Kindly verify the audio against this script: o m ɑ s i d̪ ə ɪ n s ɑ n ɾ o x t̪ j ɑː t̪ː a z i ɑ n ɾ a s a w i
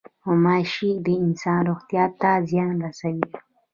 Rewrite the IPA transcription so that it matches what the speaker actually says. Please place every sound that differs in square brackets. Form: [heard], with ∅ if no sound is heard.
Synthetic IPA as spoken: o m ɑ [ʃ] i d̪ ə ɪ n s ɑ n ɾ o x t̪ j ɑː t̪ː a z [j] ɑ n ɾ a s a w i